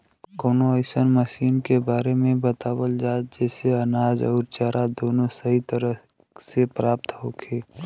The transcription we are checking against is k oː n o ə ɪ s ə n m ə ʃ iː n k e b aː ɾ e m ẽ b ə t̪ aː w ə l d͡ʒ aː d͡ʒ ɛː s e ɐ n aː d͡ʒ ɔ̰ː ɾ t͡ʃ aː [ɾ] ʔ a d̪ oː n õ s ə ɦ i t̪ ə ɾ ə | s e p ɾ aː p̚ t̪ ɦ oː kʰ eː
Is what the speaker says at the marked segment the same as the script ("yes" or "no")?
yes